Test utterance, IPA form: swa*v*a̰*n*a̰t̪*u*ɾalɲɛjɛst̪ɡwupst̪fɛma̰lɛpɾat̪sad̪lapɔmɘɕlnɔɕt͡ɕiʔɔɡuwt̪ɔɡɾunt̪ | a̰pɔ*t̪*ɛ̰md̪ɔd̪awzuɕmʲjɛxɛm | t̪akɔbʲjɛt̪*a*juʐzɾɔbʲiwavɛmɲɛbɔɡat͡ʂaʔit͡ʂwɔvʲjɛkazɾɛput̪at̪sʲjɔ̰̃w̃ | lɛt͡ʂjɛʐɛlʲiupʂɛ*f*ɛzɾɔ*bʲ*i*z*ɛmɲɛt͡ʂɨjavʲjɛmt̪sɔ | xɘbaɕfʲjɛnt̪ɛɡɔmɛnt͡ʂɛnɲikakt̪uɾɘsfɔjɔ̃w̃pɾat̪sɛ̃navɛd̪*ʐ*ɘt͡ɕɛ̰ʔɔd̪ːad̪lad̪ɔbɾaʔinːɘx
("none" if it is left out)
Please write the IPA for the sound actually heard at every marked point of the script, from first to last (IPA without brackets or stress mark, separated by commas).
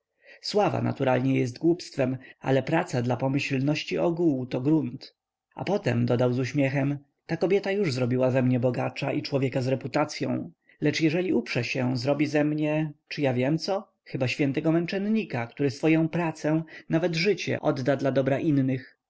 v, n, u, t̪, a, ɕ, bʲ, z, ʐ